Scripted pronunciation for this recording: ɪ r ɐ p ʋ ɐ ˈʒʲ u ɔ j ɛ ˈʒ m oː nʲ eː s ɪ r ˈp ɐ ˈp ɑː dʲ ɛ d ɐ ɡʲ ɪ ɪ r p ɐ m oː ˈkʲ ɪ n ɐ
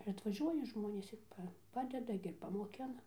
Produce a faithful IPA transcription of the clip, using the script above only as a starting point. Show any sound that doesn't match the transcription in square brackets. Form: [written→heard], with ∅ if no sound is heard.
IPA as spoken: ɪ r ɐ [p→t] ʋ ɐ ˈʒʲ u ɔ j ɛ ˈʒ m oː nʲ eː s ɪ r ˈp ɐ ˈp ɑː dʲ ɛ d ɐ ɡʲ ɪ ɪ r p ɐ m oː ˈkʲ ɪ n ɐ